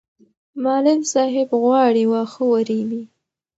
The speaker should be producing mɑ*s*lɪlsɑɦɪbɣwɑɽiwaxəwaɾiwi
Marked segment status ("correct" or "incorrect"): incorrect